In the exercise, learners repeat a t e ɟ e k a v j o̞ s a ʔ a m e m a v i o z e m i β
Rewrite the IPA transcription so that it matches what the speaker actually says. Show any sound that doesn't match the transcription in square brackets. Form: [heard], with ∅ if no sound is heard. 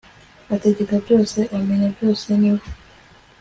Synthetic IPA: a t e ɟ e k a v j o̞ s [e] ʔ a m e [ɲ] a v [j] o [s] e [n] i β